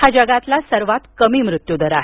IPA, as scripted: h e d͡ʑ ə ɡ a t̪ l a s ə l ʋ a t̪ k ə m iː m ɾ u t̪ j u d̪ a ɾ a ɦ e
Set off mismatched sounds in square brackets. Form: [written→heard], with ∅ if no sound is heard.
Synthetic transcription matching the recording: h [e→a] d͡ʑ ə ɡ a t̪ l a s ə [l→ɾ] ʋ a t̪ k ə m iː m ɾ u t̪ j u d̪ [a→ə] ɾ a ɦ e

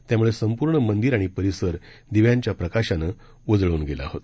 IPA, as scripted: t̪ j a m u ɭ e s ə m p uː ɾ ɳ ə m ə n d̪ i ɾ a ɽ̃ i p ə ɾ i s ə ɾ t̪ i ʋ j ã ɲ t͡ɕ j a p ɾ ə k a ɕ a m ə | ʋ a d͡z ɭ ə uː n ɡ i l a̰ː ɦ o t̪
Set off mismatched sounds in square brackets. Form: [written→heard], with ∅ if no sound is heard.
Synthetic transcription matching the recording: t̪ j a m u ɭ e s ə m p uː ɾ ɳ ə m ə n d̪ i ɾ a ɽ̃ i p ə ɾ i s ə ɾ [t̪→d̪] i ʋ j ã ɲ t͡ɕ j a p ɾ ə k a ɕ a [m→n] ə | ʋ [a→ə] d͡z ɭ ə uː n ɡ [i→e] l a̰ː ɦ o t̪

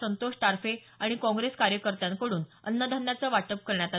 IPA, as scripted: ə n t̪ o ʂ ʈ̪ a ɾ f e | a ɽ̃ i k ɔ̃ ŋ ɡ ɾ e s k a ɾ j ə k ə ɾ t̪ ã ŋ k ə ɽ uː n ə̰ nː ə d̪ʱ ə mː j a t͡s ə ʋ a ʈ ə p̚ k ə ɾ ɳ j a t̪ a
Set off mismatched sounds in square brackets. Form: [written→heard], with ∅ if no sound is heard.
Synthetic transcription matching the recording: ə n t̪ o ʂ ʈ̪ a ɾ f e | a ɽ̃ i k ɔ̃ ŋ ɡ ɾ e s k a ɾ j ə k ə ɾ t̪ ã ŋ k ə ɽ uː n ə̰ nː ə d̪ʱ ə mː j a t͡s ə ʋ a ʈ ə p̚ k ə ɾ ɳ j a t̪ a

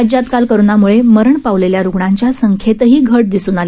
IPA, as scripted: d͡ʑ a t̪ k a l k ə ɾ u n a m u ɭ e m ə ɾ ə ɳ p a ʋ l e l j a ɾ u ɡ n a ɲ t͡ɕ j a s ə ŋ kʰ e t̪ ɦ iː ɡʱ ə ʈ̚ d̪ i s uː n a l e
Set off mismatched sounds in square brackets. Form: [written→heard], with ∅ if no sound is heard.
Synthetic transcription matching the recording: d͡ʑ a t̪ k a l k ə ɾ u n a m u ɭ e m ə ɾ ə ɳ p a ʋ l e l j a ɾ u ɡ [n→ɳ] a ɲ t͡ɕ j a s ə ŋ kʰ e t̪ ɦ iː ɡʱ ə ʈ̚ d̪ i s uː n a l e

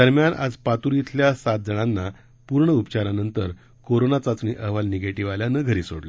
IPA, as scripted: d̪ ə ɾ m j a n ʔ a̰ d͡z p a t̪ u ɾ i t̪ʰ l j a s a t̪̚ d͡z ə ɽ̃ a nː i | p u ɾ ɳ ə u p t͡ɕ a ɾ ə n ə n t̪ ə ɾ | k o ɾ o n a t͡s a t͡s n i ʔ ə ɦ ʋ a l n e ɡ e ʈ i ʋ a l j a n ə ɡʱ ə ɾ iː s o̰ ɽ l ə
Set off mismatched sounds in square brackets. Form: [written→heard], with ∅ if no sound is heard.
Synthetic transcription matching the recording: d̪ ə ɾ m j a n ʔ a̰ d͡z p a t̪ u ɾ i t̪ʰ l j a s a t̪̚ d͡z ə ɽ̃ a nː [i→a] | p u ɾ ɳ ə u p t͡ɕ a ɾ [ə→a] n ə n t̪ ə ɾ | k o ɾ o n a t͡s a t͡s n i ʔ ə ɦ ʋ a l n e ɡ e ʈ i ʋ a l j a n ə ɡʱ ə ɾ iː s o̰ ɽ l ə

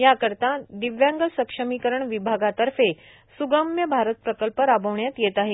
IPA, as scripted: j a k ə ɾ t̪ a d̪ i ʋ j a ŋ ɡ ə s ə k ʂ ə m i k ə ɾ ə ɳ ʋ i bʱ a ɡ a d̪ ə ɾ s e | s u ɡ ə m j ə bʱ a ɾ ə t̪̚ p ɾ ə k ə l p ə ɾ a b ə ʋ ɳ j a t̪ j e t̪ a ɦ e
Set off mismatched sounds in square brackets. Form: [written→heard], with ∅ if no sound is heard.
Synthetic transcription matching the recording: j a k ə ɾ t̪ a d̪ i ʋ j a ŋ ɡ ə s ə k ʂ ə m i k ə ɾ ə ɳ ʋ i bʱ a ɡ a [d̪→t̪] ə ɾ [s→f] e | s u ɡ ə m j ə bʱ a ɾ ə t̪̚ p ɾ ə k ə l p ə ɾ a b ə ʋ ɳ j a t̪ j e t̪ a ɦ e

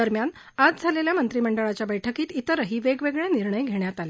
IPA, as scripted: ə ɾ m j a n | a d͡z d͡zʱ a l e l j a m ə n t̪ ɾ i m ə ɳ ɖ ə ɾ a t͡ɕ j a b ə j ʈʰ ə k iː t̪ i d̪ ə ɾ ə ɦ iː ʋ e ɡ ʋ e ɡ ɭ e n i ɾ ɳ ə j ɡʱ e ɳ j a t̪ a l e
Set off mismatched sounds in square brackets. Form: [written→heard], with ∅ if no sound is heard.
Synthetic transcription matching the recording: ə ɾ m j a n | a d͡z d͡zʱ a l e l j a m ə n t̪ ɾ i m ə ɳ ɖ ə [ɾ→ɭ] a t͡ɕ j a b ə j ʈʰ ə k iː t̪ i [d̪→t̪] ə ɾ ə ɦ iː ʋ e ɡ ʋ e ɡ ɭ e n i ɾ ɳ ə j ɡʱ e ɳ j a t̪ a l e

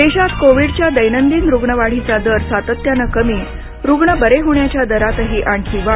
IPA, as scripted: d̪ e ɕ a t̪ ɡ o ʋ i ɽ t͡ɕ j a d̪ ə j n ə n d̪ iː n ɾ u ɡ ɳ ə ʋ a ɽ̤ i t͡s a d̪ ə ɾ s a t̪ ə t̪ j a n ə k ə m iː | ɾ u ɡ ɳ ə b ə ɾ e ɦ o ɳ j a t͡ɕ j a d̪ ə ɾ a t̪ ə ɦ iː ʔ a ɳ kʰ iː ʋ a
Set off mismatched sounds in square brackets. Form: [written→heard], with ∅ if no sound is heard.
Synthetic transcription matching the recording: d̪ e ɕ a t̪ [ɡ→k] o ʋ i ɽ t͡ɕ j a d̪ ə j n ə n d̪ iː n ɾ u ɡ ɳ ə ʋ a ɽ̤ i t͡s a d̪ ə ɾ s a t̪ ə t̪ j a n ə k ə m iː | ɾ u ɡ ɳ ə b ə ɾ e ɦ o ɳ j a t͡ɕ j a d̪ ə ɾ a t̪ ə ɦ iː ʔ a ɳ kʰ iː ʋ a

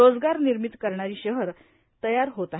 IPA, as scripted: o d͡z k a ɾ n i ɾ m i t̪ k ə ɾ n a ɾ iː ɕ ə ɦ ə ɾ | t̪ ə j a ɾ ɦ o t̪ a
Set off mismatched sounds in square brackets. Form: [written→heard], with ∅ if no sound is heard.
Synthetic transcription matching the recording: o d͡z [k→ɡ] a ɾ n i ɾ m i t̪ k ə ɾ [n→ɳ] a ɾ iː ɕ ə ɦ ə ɾ | t̪ ə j a ɾ ɦ o t̪ a

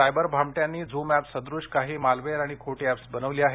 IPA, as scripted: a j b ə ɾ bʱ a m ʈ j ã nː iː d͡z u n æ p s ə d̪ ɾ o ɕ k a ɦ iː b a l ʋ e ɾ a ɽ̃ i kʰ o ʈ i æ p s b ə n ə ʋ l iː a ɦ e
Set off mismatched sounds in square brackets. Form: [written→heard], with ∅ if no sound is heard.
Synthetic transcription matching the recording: a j b ə ɾ bʱ a m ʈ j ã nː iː d͡z u [n→m] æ p s ə d̪ ɾ [o→u] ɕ k a ɦ iː [b→m] a l ʋ e ɾ a ɽ̃ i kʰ o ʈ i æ p s b ə n ə ʋ l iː a ɦ e

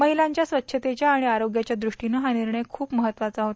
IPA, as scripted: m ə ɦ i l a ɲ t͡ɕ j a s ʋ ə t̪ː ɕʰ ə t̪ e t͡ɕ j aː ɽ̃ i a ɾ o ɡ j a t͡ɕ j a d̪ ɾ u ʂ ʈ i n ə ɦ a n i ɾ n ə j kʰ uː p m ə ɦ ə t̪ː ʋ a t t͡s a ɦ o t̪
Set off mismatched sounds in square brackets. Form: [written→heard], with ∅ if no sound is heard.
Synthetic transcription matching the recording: m ə ɦ i l a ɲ t͡ɕ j a s ʋ ə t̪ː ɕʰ ə t̪ e t͡ɕ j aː ɽ̃ i a ɾ o ɡ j a t͡ɕ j a d̪ ɾ u ʂ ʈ i n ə ɦ a n i ɾ [n→ɳ] ə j kʰ uː p m ə ɦ ə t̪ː ʋ a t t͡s a ɦ o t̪

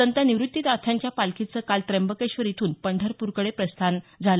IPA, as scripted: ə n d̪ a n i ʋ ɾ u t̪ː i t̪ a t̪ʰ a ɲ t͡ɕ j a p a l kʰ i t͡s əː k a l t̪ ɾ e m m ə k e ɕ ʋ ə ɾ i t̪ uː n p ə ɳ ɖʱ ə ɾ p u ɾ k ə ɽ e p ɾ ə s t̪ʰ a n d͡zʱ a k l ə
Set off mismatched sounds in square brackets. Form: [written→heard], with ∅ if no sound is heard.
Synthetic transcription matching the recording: ə n [d̪→t̪] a n i ʋ ɾ u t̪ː i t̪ a t̪ʰ a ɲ t͡ɕ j a p a l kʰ i t͡s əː k a l t̪ ɾ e m [m→b] ə k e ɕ ʋ ə ɾ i [t̪→t̪ʰ] uː n p ə ɳ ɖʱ ə ɾ p u ɾ k ə ɽ e p ɾ ə s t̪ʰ a n d͡zʱ a [k→∅] l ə

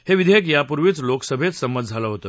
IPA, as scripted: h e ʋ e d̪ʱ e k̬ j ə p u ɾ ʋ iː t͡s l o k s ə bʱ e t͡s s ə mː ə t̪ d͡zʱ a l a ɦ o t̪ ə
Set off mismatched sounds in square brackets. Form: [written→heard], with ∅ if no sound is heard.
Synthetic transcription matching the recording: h e ʋ [e→i] d̪ʱ e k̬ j [ə→a] p u ɾ ʋ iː t͡s l o k s ə bʱ e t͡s s ə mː ə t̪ d͡zʱ a l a ɦ o t̪ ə

